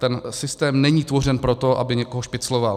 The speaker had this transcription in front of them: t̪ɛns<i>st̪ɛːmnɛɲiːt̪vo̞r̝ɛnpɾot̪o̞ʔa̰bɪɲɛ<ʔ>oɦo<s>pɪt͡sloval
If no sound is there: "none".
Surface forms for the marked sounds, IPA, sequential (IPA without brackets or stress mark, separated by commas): ɪ, k, ʃ